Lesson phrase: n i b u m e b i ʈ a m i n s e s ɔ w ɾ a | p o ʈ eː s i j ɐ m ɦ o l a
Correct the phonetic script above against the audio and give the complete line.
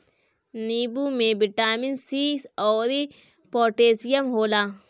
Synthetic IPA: n i b u m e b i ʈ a m i n s i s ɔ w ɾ i | p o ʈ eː s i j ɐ m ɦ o l a